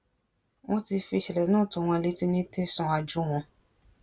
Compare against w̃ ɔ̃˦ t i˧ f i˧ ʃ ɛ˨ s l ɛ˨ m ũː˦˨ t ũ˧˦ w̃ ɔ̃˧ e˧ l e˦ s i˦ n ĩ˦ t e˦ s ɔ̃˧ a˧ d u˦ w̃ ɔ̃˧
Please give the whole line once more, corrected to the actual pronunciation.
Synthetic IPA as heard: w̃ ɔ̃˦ t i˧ f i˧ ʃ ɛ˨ l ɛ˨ n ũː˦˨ t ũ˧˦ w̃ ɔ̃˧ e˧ l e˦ t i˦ n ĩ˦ t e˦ s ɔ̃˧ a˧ d͡ʒ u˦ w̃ ɔ̃˧